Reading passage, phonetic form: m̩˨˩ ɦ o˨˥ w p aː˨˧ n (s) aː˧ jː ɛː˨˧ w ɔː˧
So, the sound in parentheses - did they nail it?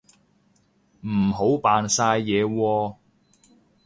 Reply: yes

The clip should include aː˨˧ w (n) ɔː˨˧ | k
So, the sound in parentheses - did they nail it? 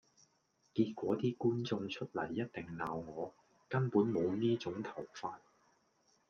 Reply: no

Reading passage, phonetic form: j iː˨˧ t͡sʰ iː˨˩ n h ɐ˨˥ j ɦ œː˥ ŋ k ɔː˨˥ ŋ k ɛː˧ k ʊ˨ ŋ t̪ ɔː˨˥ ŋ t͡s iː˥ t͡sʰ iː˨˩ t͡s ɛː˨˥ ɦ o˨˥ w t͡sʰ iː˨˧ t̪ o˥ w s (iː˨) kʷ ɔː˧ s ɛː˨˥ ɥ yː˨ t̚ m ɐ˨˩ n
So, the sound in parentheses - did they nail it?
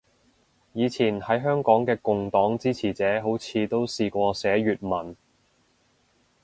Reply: yes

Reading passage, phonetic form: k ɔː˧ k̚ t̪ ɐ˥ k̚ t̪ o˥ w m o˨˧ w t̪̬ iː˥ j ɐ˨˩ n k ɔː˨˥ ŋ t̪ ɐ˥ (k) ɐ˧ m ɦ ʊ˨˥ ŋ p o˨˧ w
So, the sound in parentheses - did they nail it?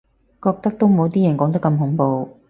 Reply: yes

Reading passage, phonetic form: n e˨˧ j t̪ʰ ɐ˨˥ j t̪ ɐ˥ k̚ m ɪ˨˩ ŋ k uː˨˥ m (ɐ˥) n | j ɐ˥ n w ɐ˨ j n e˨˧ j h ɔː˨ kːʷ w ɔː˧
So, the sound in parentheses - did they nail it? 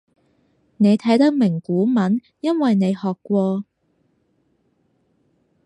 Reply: no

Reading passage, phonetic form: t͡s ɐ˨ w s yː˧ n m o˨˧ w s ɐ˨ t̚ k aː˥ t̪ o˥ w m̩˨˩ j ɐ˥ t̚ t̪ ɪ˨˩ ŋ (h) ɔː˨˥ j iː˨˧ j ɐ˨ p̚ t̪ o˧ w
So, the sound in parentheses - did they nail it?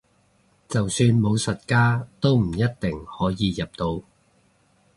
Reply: yes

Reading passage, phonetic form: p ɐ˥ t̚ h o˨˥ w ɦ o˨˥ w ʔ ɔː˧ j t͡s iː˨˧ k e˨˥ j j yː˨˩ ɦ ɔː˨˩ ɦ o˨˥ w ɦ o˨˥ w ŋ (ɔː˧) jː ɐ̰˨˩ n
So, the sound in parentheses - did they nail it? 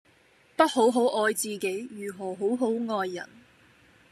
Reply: yes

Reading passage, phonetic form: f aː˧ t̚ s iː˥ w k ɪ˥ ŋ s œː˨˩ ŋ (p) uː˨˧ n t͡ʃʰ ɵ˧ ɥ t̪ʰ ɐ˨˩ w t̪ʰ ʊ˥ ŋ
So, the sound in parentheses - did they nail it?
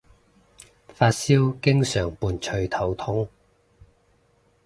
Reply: yes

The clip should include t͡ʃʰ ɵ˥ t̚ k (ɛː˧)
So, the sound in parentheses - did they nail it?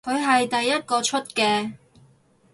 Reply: yes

